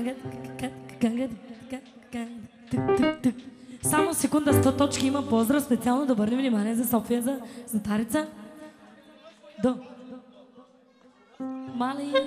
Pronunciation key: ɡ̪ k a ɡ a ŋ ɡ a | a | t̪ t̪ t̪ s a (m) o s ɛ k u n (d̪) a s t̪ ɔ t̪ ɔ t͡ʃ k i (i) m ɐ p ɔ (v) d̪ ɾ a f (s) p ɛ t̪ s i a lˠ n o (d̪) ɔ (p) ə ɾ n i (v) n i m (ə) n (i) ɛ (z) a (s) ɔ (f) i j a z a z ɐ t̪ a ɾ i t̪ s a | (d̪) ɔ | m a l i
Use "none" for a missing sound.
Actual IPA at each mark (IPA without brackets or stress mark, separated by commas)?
m, d̪, i, z, s, d̪, b, v, a, i, z, s, f, d̪